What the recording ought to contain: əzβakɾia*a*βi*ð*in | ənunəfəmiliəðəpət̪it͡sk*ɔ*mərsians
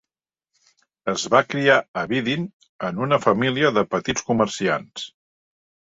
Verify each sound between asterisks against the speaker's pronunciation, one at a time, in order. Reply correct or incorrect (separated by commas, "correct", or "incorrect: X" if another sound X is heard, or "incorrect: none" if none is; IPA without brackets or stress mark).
incorrect: ə, correct, incorrect: u